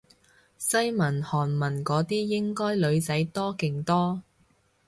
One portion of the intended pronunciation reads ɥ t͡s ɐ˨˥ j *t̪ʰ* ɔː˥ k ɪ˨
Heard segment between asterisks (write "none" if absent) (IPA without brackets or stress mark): t̪